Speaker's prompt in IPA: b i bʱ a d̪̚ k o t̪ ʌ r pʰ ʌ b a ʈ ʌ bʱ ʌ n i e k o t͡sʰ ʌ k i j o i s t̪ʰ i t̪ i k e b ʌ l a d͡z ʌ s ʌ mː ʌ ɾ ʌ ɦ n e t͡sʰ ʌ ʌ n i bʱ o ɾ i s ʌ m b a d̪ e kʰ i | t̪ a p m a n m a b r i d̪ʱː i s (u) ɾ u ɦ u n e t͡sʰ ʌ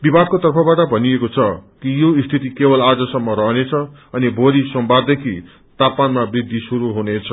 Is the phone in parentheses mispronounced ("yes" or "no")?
no